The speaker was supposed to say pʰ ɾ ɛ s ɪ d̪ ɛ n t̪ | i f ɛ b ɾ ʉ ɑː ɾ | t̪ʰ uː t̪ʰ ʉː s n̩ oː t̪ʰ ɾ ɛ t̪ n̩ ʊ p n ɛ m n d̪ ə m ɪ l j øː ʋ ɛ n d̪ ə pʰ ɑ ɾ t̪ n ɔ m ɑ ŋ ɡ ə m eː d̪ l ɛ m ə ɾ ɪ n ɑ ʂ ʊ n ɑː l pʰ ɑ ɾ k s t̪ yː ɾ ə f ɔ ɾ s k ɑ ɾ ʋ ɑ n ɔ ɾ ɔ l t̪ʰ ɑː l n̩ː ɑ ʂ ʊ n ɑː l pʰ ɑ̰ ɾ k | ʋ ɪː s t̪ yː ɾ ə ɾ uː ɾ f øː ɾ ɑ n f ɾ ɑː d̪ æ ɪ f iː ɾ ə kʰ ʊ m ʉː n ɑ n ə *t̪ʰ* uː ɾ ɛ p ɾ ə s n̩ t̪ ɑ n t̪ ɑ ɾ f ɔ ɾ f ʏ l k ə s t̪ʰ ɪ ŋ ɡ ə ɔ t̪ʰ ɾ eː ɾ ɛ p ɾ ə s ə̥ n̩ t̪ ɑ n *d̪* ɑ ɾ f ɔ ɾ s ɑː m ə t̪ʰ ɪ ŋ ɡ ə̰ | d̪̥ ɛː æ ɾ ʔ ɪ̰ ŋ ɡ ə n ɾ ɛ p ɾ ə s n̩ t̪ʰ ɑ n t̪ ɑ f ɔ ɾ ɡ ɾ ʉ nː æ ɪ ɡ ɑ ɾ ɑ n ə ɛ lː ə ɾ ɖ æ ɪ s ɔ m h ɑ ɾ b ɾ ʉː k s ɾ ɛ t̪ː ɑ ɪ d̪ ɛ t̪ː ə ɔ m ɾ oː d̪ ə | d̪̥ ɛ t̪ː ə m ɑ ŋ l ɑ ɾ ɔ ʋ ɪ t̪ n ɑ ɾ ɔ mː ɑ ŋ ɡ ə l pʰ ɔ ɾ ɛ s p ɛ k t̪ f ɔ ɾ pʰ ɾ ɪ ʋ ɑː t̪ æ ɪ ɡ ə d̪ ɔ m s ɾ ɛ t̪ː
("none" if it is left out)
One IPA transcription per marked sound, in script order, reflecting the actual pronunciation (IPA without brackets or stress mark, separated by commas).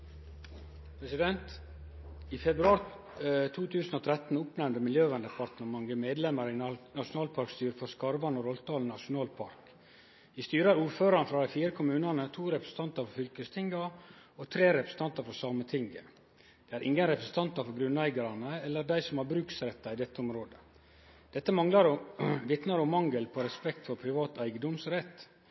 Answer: t̪ʰ, t̪